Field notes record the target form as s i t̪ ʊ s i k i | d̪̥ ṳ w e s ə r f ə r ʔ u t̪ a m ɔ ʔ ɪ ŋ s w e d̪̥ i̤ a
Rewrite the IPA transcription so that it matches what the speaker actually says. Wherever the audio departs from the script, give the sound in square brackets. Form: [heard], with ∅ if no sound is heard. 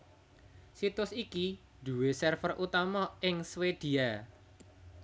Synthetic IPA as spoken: s i t̪ ʊ s i k i | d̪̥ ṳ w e s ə r f ə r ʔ u t̪ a m ɔ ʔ ɪ ŋ s w e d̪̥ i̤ a